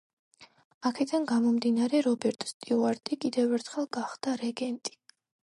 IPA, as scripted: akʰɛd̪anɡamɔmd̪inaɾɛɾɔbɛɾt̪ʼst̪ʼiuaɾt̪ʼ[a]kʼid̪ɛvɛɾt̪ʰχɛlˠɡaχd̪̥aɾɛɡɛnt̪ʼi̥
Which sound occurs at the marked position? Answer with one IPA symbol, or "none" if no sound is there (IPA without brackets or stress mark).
i